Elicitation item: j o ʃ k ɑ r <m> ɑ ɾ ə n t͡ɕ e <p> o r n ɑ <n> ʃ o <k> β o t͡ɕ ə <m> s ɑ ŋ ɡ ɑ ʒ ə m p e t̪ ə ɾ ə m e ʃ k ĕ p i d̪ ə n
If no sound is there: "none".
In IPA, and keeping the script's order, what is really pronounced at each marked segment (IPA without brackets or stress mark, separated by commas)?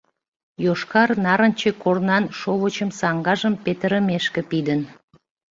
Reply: n, k, n, none, m